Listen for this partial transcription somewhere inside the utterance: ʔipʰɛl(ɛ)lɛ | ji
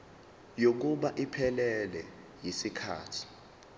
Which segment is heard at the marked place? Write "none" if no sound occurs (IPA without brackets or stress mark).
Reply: ɛ